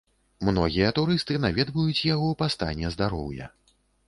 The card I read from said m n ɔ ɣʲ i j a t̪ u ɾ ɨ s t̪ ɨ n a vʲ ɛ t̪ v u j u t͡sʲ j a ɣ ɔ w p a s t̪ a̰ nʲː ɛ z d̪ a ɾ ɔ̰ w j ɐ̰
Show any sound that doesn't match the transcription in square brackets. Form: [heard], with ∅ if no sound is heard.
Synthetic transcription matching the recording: m n ɔ ɣʲ i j [ɐ] t̪ u ɾ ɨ s t̪ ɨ n a vʲ ɛ [d̪] v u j u t͡sʲ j a ɣ ɔ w p a s t̪ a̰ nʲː ɛ z d̪ a ɾ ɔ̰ w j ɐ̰